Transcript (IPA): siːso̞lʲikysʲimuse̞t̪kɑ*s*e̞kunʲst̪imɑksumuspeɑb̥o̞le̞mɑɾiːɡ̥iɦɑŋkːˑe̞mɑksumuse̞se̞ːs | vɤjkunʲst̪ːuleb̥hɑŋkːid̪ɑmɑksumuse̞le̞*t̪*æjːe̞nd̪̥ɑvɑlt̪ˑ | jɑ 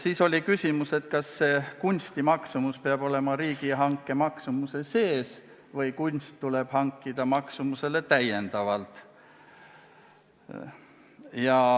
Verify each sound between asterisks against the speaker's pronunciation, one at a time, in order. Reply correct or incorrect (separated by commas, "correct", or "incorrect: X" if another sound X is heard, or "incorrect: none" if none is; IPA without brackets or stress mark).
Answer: incorrect: sː, correct